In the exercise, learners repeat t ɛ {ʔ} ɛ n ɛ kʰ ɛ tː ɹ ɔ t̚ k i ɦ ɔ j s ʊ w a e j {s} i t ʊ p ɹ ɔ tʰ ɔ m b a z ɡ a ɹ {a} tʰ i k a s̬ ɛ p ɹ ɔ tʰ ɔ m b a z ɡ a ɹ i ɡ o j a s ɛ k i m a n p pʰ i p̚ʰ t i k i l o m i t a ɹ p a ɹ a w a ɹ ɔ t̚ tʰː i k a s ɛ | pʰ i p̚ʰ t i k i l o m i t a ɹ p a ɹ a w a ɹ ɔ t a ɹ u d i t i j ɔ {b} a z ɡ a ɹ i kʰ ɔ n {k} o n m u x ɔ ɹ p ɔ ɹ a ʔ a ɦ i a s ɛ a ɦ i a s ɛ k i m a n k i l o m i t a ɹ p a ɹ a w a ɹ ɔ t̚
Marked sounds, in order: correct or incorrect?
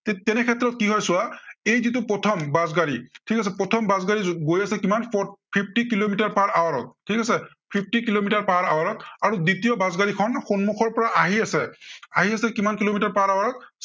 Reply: incorrect: t, incorrect: z, incorrect: i, correct, incorrect: x

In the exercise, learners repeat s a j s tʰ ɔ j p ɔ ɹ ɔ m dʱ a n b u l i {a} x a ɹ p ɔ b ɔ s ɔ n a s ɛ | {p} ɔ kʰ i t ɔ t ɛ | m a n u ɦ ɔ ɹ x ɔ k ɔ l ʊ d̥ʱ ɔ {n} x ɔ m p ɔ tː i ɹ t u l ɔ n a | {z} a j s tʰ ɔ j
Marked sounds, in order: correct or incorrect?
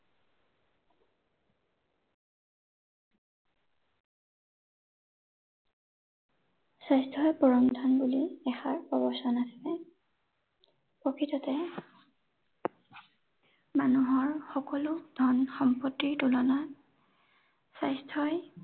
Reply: incorrect: ɛ, correct, correct, incorrect: s

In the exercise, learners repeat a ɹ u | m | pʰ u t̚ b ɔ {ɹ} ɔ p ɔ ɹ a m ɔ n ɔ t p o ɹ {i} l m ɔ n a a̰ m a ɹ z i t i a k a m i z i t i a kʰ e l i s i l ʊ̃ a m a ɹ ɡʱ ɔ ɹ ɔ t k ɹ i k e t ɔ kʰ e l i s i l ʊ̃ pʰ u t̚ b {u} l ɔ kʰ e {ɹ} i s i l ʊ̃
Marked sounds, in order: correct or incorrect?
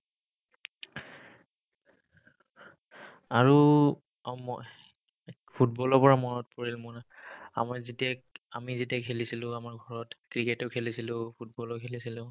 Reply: incorrect: l, correct, incorrect: ɔ, incorrect: l

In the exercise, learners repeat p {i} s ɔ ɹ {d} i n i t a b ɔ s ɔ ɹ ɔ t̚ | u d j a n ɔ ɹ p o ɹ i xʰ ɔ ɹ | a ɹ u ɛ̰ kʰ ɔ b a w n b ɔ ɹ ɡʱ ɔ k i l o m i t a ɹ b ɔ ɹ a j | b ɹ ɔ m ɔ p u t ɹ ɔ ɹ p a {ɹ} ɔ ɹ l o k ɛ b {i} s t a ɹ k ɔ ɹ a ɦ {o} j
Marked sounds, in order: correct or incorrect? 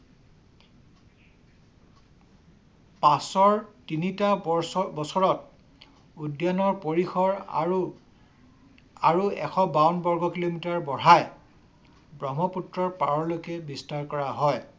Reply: incorrect: a, incorrect: t, correct, correct, incorrect: ɔ

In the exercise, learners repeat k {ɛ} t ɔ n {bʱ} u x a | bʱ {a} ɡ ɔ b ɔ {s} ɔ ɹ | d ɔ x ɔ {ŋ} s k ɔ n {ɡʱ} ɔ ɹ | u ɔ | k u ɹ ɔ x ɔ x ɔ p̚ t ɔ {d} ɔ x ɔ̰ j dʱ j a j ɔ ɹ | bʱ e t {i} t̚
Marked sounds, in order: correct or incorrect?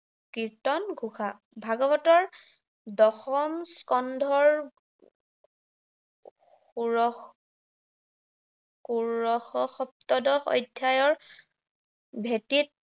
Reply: incorrect: i, incorrect: ɡʱ, correct, incorrect: t, incorrect: m, incorrect: dʱ, correct, correct

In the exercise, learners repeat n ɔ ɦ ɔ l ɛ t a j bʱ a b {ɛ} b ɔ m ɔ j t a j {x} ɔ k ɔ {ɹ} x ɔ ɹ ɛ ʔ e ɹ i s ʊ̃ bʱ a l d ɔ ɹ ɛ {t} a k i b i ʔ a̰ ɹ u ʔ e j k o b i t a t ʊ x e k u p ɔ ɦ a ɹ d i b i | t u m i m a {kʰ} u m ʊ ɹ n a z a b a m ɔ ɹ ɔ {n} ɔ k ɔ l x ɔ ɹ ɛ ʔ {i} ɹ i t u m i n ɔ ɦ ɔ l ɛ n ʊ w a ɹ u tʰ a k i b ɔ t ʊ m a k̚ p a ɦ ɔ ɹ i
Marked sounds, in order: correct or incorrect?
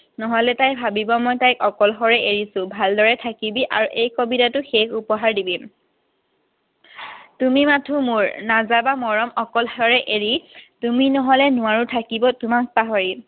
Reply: incorrect: i, incorrect: k, incorrect: l, incorrect: tʰ, incorrect: tʰ, incorrect: m, incorrect: e

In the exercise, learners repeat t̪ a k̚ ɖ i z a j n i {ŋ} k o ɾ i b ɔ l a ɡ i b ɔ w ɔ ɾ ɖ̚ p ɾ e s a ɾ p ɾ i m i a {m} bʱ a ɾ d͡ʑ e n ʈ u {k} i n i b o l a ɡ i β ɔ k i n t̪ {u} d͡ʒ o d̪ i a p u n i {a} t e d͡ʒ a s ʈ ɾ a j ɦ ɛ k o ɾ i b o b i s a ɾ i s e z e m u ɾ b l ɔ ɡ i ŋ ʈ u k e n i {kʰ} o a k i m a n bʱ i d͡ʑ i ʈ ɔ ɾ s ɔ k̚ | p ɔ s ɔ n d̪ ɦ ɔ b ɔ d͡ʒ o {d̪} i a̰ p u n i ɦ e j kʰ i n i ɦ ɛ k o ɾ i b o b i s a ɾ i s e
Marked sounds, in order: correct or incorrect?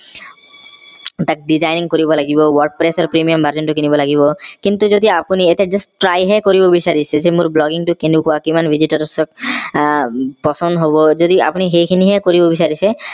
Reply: correct, correct, correct, correct, incorrect: e, incorrect: k, correct

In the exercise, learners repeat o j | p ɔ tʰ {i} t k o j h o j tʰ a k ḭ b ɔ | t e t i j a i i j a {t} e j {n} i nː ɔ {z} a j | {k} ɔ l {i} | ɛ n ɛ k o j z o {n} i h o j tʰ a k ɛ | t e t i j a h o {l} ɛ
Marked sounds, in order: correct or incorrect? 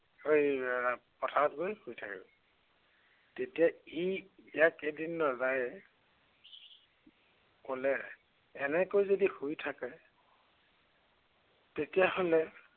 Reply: incorrect: a, incorrect: k, incorrect: d, correct, correct, incorrect: ɛ, incorrect: d, correct

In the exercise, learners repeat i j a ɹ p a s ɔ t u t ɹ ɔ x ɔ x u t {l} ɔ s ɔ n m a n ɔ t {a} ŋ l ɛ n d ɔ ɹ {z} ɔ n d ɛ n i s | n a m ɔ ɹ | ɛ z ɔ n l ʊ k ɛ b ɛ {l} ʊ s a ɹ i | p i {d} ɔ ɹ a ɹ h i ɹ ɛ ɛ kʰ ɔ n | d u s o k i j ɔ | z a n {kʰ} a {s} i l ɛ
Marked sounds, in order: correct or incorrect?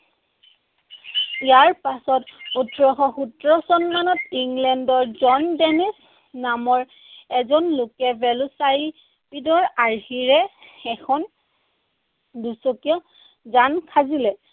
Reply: incorrect: ɹ, incorrect: i, correct, correct, correct, correct, incorrect: z

